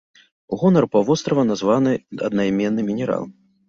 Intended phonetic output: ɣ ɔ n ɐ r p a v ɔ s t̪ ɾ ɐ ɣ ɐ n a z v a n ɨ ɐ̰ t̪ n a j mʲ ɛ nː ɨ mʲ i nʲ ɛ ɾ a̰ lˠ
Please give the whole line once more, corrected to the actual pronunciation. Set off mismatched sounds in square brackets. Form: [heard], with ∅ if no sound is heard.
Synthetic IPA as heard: ɣ ɔ n ɐ r p a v ɔ s t̪ ɾ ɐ [v] ɐ n a z v a n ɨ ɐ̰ [d̪] n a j mʲ ɛ nː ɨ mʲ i nʲ ɛ ɾ a̰ lˠ